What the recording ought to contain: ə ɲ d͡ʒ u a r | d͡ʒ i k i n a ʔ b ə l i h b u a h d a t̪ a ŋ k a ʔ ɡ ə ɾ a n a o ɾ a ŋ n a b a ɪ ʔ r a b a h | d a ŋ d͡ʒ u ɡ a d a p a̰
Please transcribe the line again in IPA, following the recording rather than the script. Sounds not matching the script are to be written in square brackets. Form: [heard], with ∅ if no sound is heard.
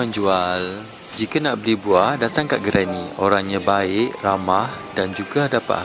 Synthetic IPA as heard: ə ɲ d͡ʒ u a [l] | d͡ʒ i k [a] n a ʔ b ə l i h b u a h d a t̪ a ŋ k a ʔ ɡ ə ɾ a n [i] o ɾ a ŋ [ɲ] a b a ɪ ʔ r a [m] a h | d a [n] d͡ʒ u ɡ a d a p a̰